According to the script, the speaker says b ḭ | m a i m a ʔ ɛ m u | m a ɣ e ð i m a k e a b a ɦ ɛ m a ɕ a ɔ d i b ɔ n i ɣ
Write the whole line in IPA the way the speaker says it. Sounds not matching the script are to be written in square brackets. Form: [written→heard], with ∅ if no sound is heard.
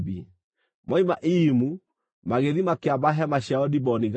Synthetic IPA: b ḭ | m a i m a ʔ [ɛ→i] m u | m a ɣ e ð i m a k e a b a ɦ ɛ m a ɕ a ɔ d i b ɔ n i ɣ